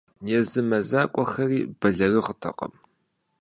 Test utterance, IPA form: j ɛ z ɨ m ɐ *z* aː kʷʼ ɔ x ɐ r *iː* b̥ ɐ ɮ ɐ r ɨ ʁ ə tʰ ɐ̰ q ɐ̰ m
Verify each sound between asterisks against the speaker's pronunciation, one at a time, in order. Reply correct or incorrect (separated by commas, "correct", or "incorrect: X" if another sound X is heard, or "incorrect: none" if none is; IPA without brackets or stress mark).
correct, correct